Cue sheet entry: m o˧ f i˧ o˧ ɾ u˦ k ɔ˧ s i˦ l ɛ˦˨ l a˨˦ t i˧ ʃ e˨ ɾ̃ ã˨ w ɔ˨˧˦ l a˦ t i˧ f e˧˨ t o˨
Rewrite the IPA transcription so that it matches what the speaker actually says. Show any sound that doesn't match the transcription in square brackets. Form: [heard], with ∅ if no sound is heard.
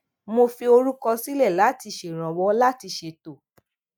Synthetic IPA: m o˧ f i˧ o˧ ɾ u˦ k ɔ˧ s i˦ l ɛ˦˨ l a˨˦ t i˧ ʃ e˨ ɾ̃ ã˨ w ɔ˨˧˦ l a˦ t i˧ [ʃ] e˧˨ t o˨